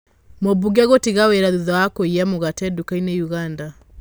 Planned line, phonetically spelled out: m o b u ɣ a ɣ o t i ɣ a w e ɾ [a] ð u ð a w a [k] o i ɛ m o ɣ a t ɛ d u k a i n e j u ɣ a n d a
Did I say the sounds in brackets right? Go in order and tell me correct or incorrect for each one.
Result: correct, correct

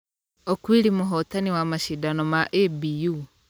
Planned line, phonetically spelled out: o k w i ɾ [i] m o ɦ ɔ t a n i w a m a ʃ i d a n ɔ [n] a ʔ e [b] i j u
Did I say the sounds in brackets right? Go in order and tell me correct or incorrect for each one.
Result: correct, incorrect: m, correct

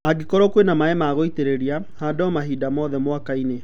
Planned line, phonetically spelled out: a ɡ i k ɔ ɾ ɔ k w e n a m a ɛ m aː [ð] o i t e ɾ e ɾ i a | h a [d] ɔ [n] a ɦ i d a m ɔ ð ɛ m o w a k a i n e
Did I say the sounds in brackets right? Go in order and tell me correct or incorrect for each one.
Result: incorrect: ɣ, correct, incorrect: m

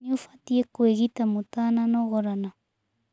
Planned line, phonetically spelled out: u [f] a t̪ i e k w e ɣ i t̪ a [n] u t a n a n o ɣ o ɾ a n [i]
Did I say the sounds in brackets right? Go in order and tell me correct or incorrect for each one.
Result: correct, incorrect: m, incorrect: a

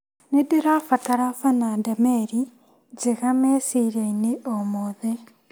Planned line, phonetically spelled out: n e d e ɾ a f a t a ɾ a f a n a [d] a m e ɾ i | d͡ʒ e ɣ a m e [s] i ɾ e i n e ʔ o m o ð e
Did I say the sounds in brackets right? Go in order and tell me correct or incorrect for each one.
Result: correct, correct

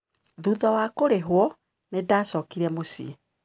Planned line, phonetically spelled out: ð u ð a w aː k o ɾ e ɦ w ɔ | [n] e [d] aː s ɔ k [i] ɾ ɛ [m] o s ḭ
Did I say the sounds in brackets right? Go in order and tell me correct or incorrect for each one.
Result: correct, correct, correct, correct

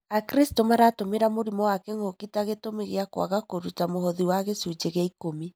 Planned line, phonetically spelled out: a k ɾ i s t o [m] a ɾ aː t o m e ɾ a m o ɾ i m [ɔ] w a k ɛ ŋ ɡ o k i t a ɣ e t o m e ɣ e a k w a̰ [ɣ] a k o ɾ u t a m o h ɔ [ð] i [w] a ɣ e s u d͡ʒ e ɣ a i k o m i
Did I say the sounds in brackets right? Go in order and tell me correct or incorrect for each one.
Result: correct, correct, correct, correct, correct

